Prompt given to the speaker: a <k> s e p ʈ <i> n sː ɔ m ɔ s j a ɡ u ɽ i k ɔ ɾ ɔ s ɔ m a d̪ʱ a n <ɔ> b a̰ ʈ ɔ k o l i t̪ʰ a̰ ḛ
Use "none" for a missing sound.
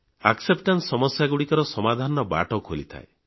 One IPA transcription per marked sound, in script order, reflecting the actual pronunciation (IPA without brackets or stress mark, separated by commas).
k, a, ɔ